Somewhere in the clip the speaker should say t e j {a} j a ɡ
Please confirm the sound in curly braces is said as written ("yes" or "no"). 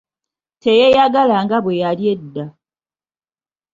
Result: no